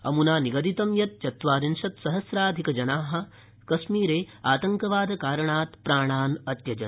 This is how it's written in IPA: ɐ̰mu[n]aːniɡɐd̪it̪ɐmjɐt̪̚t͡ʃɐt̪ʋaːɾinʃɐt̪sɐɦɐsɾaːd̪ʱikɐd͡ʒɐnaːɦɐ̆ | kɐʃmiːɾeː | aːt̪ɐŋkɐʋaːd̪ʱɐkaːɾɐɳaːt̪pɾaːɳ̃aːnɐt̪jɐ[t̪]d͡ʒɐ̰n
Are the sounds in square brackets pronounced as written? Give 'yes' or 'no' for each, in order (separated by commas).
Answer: yes, no